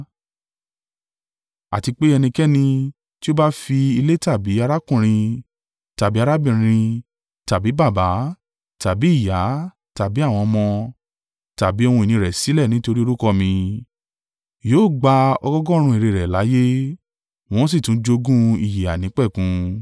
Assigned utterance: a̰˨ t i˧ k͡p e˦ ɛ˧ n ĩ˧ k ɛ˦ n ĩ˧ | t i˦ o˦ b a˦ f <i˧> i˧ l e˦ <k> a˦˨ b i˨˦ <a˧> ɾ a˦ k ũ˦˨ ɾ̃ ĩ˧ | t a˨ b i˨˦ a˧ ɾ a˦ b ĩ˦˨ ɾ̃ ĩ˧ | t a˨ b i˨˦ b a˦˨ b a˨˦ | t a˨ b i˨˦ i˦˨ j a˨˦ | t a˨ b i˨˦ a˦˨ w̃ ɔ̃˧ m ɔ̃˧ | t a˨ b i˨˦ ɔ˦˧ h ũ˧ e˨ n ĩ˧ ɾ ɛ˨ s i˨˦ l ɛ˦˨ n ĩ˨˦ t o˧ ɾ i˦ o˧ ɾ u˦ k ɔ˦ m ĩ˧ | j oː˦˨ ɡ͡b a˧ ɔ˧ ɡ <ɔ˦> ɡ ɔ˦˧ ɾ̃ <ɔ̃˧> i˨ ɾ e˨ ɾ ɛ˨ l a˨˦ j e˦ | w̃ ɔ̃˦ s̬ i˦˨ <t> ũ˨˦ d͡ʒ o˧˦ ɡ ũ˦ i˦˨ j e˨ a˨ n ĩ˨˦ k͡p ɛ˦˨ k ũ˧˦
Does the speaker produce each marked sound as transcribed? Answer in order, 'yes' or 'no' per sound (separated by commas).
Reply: yes, no, yes, yes, no, yes